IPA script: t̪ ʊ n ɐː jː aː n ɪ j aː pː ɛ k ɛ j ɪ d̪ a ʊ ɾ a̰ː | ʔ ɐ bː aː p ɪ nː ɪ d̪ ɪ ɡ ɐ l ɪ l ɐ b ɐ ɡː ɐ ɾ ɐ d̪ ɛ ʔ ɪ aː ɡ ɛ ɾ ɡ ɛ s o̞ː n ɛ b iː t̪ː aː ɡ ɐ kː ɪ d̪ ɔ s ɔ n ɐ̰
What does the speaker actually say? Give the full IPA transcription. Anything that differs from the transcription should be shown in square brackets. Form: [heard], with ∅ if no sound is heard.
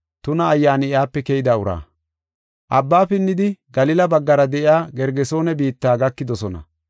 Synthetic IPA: t̪ ʊ n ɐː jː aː n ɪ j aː pː ɛ k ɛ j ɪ d̪ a ʊ ɾ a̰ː | ʔ ɐ bː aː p ɪ nː ɪ d̪ ɪ ɡ ɐ l ɪ l ɐ b ɐ ɡː ɐ ɾ ɐ d̪ ɛ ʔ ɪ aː ɡ ɛ ɾ ɡ ɛ s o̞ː n ɛ b iː t̪ː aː ɡ ɐ kː ɪ d̪ ɔ s ɔ n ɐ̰